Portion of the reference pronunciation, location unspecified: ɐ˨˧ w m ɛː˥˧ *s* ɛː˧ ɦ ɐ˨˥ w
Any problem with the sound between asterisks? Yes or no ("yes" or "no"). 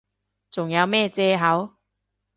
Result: yes